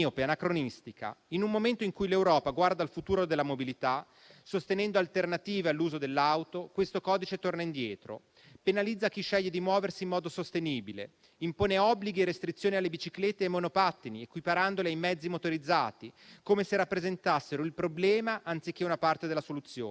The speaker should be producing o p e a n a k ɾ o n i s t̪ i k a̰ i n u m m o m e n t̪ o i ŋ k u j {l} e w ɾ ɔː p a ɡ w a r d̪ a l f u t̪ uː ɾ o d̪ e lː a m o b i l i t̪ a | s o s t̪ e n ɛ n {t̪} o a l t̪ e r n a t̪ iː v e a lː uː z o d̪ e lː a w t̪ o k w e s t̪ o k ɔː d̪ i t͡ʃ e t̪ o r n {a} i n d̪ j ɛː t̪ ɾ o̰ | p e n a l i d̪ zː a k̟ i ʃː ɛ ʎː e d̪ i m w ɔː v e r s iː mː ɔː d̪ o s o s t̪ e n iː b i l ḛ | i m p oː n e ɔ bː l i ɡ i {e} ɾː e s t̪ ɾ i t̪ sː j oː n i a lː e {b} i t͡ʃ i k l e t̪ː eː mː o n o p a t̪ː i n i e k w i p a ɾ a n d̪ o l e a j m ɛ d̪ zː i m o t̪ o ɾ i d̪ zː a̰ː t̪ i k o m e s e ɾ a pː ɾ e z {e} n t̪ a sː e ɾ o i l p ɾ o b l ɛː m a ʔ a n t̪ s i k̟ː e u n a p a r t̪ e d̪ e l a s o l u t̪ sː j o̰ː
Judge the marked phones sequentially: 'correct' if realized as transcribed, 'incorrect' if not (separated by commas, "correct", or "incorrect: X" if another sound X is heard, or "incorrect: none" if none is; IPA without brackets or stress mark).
correct, incorrect: d̪, correct, correct, correct, correct